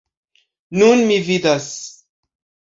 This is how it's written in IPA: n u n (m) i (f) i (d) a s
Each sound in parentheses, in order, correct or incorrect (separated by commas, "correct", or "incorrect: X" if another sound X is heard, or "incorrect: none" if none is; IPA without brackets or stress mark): correct, incorrect: v, correct